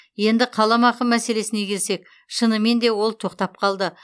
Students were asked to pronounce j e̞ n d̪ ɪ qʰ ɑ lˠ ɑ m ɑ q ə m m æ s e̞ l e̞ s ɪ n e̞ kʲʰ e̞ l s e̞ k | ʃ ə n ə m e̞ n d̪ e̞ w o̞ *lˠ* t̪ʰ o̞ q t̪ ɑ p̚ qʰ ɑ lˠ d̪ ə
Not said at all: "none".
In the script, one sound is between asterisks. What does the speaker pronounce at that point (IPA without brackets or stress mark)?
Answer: lˠ